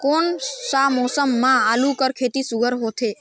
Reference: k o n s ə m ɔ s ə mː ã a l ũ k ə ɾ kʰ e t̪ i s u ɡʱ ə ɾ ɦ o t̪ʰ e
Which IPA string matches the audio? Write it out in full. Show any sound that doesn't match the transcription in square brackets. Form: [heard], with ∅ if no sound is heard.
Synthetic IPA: k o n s [a] m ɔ s ə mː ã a l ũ k ə ɾ kʰ e t̪ i s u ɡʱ ə ɾ ɦ o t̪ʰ e